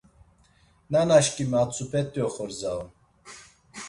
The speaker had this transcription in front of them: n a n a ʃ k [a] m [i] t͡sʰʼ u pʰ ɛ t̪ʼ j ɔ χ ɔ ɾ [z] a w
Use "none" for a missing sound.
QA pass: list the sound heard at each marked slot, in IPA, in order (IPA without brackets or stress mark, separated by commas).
i, a, z